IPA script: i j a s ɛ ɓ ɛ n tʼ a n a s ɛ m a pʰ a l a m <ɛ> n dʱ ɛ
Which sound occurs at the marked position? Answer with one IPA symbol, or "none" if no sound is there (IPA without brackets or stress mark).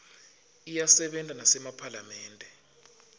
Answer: ɛː